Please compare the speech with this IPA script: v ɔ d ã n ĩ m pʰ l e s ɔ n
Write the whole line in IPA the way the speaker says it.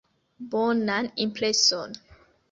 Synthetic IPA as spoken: b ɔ n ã n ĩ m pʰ l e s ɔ n